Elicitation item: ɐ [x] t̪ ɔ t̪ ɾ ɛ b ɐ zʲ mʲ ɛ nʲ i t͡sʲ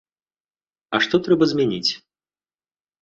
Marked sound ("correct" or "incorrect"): incorrect